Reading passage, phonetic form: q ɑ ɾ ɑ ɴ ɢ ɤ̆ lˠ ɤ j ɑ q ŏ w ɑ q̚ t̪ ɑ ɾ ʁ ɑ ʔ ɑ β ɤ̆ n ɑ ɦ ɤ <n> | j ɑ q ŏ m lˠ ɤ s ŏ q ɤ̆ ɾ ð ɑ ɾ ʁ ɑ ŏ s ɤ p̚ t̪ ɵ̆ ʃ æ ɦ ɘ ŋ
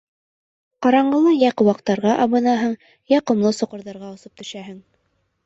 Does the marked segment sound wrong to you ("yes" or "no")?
yes